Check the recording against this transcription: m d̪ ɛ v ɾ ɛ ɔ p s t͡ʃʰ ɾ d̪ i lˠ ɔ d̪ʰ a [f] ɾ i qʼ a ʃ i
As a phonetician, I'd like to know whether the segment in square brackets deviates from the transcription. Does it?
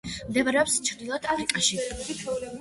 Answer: no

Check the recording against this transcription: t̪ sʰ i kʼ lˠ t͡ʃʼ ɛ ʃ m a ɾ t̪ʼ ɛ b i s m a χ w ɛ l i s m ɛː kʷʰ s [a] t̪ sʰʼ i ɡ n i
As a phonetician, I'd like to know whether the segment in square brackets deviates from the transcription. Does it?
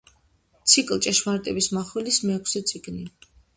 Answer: yes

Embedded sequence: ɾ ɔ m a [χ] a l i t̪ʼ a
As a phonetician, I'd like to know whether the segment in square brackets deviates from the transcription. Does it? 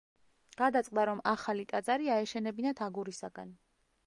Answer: no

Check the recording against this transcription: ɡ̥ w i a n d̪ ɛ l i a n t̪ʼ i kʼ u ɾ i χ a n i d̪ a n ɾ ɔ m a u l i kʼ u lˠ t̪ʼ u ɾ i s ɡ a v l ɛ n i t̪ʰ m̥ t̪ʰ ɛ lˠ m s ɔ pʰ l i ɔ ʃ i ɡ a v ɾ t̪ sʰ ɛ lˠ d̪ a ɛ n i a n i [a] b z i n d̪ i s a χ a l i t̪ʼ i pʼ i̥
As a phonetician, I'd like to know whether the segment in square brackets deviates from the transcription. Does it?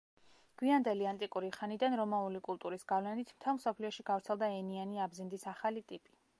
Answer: no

